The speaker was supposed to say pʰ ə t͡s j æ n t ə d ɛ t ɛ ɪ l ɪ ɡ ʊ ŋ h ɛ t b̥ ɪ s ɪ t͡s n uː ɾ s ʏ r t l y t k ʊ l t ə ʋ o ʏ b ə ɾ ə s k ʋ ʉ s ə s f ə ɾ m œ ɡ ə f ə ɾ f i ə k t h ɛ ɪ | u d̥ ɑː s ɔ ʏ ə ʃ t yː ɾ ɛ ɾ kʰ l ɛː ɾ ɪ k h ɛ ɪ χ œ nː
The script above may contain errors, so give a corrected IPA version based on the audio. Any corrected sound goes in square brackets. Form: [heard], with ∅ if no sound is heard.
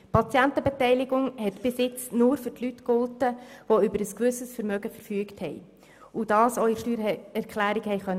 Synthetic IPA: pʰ [ɑ] t͡s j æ n t ə [b] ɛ t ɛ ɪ l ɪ ɡ ʊ ŋ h ɛ t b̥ ɪ s ɪ t͡s n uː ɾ [f] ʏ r t l y t k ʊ l t ə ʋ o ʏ b ə ɾ ə s k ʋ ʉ s ə s f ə ɾ m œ ɡ ə f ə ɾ f [y] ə k t h ɛ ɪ | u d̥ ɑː s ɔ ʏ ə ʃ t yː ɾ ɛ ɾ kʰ l [æː] ɾ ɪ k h ɛ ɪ χ œ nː